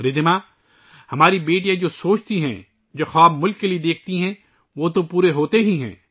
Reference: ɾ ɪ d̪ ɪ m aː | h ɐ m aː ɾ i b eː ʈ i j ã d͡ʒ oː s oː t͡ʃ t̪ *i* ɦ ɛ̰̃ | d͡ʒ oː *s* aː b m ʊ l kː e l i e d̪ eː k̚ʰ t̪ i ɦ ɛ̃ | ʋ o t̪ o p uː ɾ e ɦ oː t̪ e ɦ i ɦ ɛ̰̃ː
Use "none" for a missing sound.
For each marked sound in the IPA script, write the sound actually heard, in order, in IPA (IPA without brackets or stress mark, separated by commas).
i, x